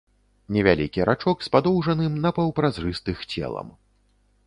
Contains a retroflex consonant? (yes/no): yes